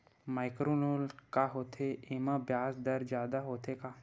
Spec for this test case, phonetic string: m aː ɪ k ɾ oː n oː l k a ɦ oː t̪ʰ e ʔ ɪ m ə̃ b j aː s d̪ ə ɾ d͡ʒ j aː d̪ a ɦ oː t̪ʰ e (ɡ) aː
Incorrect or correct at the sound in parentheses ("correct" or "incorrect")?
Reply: incorrect